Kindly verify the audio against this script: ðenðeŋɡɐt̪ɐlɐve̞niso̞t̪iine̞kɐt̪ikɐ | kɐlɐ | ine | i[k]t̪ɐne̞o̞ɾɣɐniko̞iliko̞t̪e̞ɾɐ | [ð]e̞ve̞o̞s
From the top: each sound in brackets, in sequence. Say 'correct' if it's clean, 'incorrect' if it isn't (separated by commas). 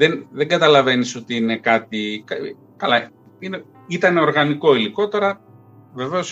incorrect, incorrect